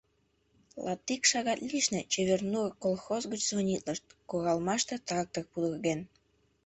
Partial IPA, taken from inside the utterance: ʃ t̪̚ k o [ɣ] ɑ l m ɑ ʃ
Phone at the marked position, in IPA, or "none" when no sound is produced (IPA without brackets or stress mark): ɣ